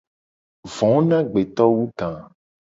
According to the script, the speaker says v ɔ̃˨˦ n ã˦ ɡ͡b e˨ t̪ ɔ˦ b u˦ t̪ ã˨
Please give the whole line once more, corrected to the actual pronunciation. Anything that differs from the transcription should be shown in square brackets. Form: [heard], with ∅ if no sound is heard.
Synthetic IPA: v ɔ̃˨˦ n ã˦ ɡ͡b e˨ t̪ ɔ˦ [w] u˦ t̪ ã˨